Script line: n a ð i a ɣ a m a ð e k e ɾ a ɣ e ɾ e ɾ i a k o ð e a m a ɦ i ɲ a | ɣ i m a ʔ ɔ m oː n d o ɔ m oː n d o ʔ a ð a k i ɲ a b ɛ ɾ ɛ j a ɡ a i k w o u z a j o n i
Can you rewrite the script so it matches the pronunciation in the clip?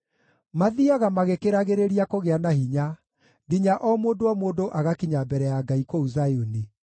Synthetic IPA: m a ð i a ɣ a m a ɣ e k e ɾ a ɣ e ɾ e ɾ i a k o ɣ e a n a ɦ i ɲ a | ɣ i ɲ a ʔ ɔ m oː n d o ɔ m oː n d o ʔ a ɣ a k i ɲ a b ɛ ɾ ɛ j a ɡ a i k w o u z a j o n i